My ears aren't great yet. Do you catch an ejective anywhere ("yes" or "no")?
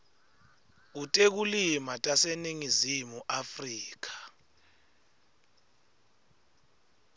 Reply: yes